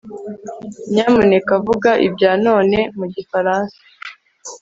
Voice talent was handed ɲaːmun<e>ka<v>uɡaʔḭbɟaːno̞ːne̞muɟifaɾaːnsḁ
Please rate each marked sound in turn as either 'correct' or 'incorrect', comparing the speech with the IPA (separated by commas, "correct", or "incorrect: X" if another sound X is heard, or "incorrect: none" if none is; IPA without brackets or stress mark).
correct, correct